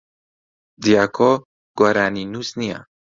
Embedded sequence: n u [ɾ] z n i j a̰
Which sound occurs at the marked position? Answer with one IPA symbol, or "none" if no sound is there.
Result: none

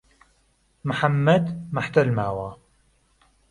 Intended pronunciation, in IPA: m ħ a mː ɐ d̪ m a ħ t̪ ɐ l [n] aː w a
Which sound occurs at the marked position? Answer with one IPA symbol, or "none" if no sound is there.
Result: m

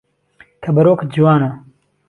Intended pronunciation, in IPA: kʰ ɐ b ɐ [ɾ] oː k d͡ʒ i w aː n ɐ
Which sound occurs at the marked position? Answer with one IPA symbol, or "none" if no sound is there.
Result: ɾ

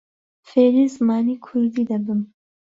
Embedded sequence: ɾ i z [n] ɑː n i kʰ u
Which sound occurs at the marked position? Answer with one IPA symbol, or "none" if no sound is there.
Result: m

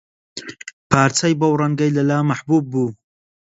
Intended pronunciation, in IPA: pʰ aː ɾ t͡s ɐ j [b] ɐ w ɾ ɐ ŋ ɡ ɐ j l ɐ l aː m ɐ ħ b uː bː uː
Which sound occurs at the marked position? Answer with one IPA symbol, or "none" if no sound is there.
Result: b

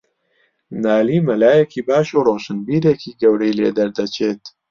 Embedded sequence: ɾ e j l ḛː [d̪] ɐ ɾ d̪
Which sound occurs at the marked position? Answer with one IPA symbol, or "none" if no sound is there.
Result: d̪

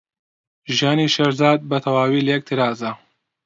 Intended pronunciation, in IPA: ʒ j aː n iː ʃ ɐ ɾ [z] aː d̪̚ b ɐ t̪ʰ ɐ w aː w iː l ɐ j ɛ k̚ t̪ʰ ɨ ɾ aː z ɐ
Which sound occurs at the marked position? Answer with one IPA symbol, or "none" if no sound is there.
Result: z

